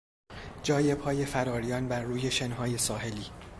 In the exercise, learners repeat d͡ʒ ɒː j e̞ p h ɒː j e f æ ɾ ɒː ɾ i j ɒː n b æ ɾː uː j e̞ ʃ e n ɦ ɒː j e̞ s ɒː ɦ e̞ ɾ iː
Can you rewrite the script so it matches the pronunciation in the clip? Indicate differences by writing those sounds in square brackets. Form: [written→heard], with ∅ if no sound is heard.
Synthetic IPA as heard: d͡ʒ ɒː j e̞ p h ɒː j e f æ ɾ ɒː ɾ i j ɒː n b æ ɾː uː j e̞ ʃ e n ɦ ɒː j e̞ s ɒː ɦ e̞ [ɾ→l] iː